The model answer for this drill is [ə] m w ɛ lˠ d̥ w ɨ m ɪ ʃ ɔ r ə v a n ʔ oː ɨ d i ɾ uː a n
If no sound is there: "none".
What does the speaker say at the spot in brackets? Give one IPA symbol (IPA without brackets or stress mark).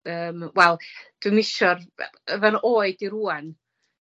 əː